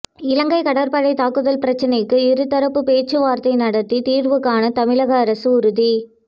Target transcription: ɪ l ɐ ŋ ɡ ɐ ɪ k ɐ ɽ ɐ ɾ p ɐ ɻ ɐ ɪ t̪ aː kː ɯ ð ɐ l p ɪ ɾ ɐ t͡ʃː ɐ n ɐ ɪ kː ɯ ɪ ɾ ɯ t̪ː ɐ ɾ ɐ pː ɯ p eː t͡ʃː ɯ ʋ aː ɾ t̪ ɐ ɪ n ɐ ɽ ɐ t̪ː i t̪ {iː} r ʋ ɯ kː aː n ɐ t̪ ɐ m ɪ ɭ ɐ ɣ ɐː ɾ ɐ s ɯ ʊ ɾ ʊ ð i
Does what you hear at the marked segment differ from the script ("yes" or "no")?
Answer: no